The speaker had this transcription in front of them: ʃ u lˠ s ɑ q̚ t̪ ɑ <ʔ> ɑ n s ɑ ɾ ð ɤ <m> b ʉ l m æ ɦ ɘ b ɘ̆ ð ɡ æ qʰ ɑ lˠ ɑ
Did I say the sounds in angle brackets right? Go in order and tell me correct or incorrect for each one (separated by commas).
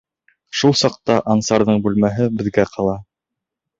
correct, incorrect